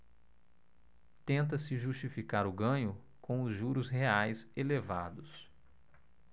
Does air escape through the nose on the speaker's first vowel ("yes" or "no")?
yes